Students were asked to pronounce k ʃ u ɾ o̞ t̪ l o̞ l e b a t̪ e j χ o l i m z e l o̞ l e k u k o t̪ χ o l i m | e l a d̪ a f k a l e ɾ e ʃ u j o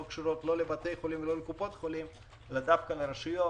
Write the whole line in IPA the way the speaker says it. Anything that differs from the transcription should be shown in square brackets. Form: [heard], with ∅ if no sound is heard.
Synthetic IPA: k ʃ u ɾ o̞ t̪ l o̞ l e b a t̪ e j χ o l i m [v] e l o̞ l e k u [p] o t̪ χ o l i m | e l a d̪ a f k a l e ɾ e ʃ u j o